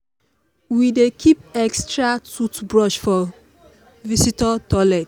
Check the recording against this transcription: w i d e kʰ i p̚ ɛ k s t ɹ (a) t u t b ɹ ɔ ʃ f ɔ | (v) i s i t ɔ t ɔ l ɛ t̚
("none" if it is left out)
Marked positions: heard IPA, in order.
a, v

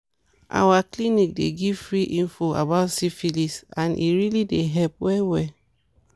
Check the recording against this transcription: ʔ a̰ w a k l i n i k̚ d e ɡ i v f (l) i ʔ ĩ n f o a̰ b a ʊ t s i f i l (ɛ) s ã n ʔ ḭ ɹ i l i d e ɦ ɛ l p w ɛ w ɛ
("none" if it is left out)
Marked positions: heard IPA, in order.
ɹ, i

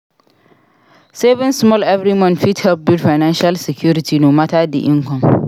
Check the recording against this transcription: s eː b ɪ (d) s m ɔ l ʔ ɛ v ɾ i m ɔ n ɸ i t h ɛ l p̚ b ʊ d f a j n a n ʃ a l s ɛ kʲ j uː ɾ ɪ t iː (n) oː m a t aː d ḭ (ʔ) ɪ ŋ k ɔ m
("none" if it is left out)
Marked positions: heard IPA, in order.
n, n, ʔ

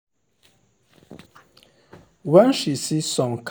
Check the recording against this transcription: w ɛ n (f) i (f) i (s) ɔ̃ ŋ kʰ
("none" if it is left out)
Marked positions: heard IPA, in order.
ʃ, s, s

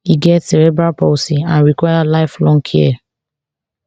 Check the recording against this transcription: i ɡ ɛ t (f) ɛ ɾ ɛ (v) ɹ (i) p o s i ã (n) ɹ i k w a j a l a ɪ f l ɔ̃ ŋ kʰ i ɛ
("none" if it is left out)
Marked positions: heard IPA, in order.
s, b, a, n

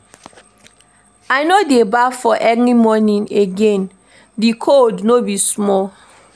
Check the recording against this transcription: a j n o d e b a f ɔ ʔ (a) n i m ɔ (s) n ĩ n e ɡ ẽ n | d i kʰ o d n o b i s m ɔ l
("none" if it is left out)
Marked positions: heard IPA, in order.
ɛ, none

